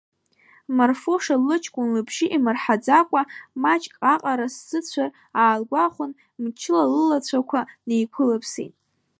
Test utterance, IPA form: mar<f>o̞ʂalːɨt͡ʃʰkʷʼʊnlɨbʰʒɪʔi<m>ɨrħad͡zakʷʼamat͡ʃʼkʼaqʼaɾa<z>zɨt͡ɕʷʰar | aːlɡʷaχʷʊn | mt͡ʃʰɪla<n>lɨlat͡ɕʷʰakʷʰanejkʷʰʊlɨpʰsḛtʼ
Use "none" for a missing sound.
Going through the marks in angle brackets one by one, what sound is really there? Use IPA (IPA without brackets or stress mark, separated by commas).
f, m, s, none